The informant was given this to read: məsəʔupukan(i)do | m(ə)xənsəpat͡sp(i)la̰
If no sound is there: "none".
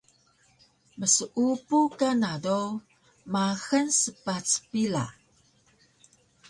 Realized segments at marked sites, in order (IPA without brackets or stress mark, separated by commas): a, a, i